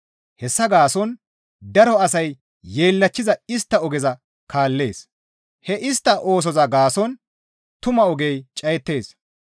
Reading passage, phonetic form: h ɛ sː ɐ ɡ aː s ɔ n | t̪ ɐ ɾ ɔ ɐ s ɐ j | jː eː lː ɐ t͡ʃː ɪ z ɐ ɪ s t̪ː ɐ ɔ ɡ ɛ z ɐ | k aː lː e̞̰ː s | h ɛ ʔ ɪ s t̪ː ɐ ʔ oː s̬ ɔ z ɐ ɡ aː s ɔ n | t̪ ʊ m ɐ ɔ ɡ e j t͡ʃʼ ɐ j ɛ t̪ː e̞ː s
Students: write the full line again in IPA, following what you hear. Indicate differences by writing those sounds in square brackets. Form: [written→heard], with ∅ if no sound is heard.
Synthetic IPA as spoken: h ɛ sː ɐ ɡ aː s ɔ n | [t̪→d̪] ɐ ɾ ɔ ɐ s ɐ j | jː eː lː ɐ t͡ʃː ɪ z ɐ ɪ s t̪ː ɐ ɔ ɡ ɛ z ɐ | k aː lː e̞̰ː s | h ɛ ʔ ɪ s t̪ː ɐ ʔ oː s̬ ɔ z ɐ ɡ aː s ɔ n | t̪ ʊ m ɐ ɔ ɡ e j t͡ʃʼ ɐ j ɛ t̪ː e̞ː s